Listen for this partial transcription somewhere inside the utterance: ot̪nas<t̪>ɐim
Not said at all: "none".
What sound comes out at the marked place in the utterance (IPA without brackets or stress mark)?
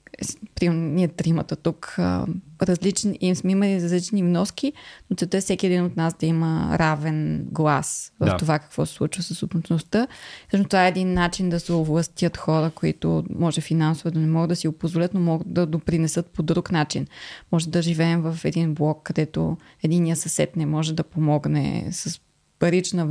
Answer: d̪